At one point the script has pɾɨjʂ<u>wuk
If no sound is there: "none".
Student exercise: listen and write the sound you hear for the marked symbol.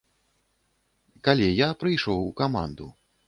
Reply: ɔ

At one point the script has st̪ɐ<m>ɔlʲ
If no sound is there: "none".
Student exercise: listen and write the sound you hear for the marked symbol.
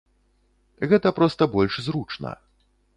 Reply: b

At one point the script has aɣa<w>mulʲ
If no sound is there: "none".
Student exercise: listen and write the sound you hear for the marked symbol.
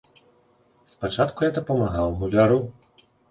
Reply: w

